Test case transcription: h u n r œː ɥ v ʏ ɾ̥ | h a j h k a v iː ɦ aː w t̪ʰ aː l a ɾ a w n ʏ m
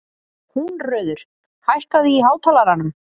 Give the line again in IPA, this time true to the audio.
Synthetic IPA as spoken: h u n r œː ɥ ð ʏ ɾ̥ | h a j h k a ð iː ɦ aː w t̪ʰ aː l a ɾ a n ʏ m